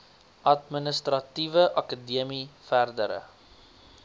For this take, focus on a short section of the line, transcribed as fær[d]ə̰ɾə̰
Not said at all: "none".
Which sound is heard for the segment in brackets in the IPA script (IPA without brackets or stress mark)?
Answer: d